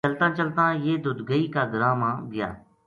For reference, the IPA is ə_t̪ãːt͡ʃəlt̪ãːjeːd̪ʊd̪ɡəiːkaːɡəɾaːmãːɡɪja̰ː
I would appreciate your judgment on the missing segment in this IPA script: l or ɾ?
l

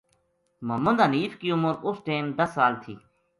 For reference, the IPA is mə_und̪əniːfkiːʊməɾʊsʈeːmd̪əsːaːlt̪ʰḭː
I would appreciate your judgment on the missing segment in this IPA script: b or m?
m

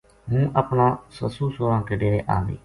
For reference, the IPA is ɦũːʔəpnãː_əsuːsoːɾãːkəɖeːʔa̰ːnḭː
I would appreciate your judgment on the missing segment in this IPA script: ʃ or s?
s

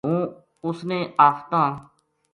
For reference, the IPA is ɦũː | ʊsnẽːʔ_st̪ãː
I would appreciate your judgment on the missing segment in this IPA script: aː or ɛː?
aː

